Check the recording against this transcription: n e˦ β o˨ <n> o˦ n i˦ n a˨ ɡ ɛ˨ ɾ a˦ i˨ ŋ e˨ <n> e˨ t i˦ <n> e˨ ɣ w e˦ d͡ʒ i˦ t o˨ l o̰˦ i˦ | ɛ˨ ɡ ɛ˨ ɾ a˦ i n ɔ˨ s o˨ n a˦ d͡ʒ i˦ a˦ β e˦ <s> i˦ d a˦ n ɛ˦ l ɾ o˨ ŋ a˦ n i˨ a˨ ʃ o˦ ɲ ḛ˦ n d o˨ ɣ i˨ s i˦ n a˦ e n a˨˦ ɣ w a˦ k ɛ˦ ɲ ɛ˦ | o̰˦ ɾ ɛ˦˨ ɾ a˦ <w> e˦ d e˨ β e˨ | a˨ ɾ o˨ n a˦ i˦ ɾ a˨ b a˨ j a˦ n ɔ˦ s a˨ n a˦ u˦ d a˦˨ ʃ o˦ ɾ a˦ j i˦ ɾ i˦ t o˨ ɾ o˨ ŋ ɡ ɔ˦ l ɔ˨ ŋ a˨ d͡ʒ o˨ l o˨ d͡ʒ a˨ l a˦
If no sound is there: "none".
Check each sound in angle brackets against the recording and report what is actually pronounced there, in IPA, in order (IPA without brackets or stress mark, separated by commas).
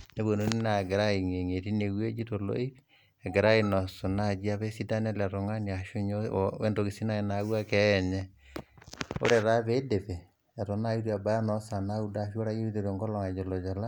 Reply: n, ŋ, n, s, β